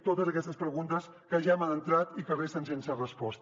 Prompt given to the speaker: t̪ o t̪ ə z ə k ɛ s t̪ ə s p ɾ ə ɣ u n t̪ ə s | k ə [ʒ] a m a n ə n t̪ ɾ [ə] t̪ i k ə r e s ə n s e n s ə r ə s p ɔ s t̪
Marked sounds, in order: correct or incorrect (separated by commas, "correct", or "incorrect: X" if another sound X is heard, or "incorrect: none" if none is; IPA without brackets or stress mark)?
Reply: correct, incorrect: a